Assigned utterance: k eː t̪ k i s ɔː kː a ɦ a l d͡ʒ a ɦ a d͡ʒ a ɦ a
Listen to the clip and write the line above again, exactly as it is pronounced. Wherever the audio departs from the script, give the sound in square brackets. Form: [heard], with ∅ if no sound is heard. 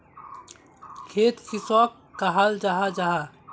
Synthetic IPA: [kʰ] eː t̪ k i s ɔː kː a ɦ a l d͡ʒ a ɦ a d͡ʒ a ɦ a